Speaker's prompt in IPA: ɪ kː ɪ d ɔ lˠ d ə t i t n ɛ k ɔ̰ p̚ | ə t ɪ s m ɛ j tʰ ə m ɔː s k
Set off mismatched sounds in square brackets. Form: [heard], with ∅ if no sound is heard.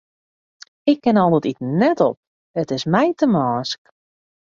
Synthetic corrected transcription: ɪ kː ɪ [n] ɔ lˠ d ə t i t n ɛ [t] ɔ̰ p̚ | ə t ɪ s m ɛ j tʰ ə m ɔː s k